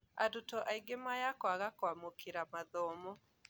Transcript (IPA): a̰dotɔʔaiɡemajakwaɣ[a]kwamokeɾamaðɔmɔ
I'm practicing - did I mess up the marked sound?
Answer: no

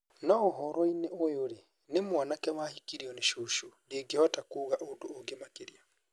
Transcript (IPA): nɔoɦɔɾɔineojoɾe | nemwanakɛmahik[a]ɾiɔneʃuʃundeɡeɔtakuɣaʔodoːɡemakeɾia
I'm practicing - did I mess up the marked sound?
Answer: yes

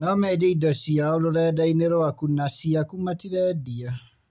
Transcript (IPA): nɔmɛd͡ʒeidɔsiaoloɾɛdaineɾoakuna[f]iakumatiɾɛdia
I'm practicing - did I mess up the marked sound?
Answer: yes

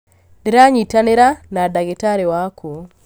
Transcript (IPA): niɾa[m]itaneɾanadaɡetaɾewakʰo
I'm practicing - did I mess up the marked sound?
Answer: yes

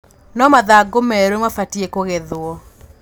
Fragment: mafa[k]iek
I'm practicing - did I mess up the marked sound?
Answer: yes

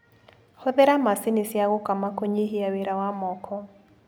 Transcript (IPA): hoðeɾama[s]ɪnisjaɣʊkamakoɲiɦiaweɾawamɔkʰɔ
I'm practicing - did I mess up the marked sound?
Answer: no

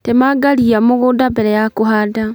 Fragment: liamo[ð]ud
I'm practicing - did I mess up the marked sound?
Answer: yes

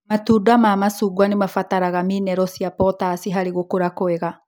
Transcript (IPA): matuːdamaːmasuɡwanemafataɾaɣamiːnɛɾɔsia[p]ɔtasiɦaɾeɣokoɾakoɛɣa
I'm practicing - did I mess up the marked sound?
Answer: no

